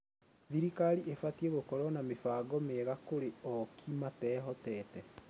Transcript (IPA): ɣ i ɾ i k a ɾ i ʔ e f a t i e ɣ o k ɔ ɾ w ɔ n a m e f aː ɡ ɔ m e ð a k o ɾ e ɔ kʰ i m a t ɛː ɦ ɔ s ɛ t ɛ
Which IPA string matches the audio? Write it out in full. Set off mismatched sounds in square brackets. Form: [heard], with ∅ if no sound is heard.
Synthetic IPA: [ð] i ɾ i k a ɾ i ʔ e f a t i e ɣ o k ɔ ɾ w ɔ n a m e f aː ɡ ɔ m e [ɣ] a k o ɾ e ɔ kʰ i m a t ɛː ɦ ɔ [t] ɛ t ɛ